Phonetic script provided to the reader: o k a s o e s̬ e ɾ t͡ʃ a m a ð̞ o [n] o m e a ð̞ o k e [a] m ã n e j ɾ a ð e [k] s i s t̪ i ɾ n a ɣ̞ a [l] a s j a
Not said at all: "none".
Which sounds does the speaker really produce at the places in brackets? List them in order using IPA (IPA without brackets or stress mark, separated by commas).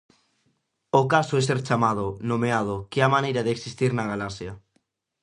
n, a, k, l